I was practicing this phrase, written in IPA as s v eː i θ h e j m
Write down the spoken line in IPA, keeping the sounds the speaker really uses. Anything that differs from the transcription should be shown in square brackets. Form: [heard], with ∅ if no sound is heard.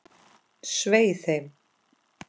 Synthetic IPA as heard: s v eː [j] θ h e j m